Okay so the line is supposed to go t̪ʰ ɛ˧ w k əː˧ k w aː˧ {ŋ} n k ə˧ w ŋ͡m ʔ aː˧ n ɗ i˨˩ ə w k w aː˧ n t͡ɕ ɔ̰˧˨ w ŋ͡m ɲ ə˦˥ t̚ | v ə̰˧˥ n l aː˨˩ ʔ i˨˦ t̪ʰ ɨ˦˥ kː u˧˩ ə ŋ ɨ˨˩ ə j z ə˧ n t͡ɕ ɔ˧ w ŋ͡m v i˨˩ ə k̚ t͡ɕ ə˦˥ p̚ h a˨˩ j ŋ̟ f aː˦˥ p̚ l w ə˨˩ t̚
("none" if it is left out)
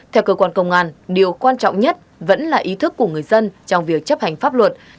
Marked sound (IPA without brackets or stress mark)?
none